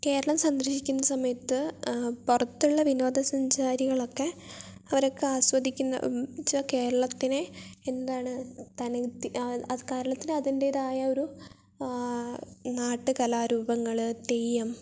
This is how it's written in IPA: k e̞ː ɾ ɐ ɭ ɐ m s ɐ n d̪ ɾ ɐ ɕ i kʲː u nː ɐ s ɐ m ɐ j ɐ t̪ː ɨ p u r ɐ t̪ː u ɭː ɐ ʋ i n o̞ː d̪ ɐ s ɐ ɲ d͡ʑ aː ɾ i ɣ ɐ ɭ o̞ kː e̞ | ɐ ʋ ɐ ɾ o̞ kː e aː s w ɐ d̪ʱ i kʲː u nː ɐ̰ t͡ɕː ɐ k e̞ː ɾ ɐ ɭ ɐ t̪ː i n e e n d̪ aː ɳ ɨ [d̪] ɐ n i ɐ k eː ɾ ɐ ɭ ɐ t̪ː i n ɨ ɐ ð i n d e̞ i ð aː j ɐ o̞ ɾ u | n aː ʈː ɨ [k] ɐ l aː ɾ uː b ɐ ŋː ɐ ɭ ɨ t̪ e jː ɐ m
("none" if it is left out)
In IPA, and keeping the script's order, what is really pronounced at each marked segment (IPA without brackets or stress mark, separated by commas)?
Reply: t̪, k